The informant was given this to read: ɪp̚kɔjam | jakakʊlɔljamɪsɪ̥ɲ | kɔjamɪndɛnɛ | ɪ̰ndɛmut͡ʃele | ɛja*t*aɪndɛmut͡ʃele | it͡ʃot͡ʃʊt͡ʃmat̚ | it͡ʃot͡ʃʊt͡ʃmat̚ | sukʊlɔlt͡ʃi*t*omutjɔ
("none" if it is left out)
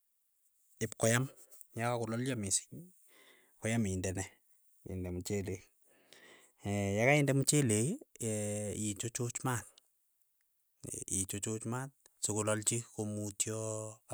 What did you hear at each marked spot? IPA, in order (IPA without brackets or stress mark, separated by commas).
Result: k, k